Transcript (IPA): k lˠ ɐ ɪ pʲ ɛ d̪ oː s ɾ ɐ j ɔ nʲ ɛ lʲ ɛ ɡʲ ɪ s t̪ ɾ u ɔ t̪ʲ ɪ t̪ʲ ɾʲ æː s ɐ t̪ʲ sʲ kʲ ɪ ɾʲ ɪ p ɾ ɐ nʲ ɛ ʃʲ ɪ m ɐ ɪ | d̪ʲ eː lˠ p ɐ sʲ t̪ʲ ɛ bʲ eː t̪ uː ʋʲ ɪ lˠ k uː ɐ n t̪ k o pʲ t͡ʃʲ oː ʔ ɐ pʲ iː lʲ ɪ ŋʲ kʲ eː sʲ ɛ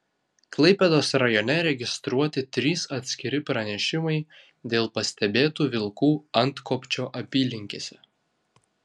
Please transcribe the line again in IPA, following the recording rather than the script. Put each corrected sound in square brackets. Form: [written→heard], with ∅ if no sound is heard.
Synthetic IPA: k lˠ ɐ ɪ pʲ ɛ d̪ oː s ɾ ɐ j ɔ nʲ ɛ [lʲ→ɾʲ] ɛ ɡʲ ɪ s t̪ ɾ u ɔ t̪ʲ ɪ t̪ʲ ɾʲ [æː→iː] s ɐ t̪ʲ sʲ kʲ ɪ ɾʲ ɪ p ɾ ɐ nʲ ɛ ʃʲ ɪ m ɐ ɪ | d̪ʲ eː lˠ p ɐ sʲ t̪ʲ ɛ bʲ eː t̪ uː ʋʲ ɪ lˠ k uː ɐ n t̪ k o pʲ t͡ʃʲ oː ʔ ɐ pʲ iː lʲ ɪ ŋʲ kʲ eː sʲ ɛ